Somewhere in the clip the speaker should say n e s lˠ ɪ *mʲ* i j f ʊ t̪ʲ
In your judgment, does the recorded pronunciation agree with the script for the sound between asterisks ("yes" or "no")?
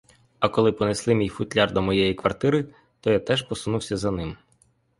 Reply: yes